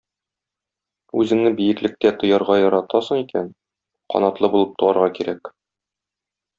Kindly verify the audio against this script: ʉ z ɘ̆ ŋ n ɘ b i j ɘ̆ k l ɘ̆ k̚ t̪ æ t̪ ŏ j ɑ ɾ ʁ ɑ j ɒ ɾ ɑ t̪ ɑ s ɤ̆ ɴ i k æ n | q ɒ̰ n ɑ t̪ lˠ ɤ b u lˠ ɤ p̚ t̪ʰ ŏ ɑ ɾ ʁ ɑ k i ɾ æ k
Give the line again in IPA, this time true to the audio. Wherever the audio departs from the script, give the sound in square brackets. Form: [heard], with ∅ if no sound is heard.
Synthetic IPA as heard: ʉ z ɘ̆ ŋ n ɘ b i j ɘ̆ k l ɘ̆ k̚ t̪ æ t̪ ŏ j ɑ ɾ ʁ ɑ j ɒ ɾ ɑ t̪ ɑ s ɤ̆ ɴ i k æ n | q ɒ̰ n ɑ t̪ lˠ ɤ b u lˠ ɤ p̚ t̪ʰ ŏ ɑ ɾ ʁ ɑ k i ɾ æ k